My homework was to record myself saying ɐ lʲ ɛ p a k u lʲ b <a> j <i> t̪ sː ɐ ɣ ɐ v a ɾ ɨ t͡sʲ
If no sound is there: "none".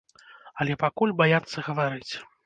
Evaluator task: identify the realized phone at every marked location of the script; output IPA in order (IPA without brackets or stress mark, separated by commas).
a, a